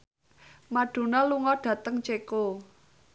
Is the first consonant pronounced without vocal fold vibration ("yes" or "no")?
no